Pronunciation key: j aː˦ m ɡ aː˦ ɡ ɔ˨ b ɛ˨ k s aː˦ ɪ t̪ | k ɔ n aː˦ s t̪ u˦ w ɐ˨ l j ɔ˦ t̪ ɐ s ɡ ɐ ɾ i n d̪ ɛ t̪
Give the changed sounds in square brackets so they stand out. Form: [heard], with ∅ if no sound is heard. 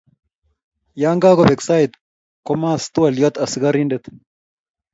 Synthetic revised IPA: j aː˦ [ŋ] ɡ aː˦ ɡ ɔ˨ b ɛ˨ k s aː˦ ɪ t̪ | k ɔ [m] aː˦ s t̪ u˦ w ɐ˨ l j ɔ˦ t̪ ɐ s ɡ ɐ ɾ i n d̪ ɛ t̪